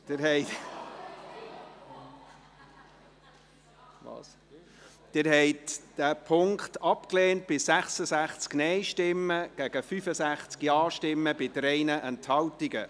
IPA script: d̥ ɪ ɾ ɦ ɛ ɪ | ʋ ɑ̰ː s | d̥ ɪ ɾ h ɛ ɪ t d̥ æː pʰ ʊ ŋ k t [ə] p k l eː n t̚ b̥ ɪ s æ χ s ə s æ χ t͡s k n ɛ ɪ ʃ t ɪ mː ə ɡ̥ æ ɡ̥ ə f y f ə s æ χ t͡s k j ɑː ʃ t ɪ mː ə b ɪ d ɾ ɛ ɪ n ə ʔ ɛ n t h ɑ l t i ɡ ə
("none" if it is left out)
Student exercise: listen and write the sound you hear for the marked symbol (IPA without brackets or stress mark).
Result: ɑ